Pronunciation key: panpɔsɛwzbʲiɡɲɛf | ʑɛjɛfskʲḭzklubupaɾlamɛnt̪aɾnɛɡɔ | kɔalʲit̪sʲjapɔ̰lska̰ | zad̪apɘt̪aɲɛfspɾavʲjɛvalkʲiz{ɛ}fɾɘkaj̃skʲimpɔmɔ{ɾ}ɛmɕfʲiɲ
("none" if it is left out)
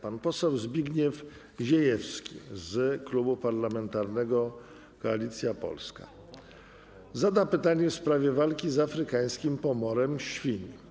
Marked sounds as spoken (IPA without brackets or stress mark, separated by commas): a, ɾ